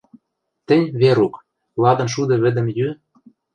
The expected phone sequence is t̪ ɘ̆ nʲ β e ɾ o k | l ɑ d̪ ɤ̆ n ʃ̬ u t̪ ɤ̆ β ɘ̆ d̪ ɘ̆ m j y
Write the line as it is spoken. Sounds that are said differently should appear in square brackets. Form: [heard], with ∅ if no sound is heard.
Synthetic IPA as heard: t̪ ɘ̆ nʲ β e ɾ [u] k | l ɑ d̪ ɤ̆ n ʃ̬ u [d̪] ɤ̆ β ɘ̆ d̪ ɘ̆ m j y